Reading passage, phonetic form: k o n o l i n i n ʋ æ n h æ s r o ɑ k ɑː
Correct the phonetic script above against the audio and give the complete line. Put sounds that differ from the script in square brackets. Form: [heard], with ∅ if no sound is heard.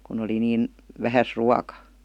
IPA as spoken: k [u] n o l i n [iː] n ʋ æ [∅] h æ s r [u] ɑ k [ɑ]